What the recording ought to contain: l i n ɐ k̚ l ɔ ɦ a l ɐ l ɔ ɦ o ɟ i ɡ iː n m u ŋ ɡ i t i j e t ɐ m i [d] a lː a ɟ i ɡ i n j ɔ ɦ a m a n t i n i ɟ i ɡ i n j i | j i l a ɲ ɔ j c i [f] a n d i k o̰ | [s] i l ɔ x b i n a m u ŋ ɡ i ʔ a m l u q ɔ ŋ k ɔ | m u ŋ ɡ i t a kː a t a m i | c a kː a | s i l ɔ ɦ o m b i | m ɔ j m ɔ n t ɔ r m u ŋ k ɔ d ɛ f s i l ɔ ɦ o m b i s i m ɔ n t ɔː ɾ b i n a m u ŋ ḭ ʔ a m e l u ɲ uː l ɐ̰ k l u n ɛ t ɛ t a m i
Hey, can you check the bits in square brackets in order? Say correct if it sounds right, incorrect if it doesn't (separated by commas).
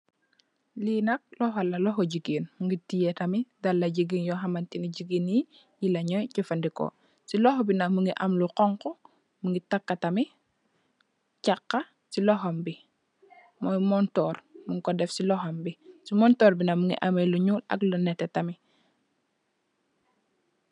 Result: correct, correct, correct